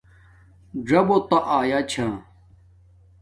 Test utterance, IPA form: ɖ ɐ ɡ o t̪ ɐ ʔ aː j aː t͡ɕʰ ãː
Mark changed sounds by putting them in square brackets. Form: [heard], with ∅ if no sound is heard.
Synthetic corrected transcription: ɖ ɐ [b] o t̪ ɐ ʔ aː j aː t͡ɕʰ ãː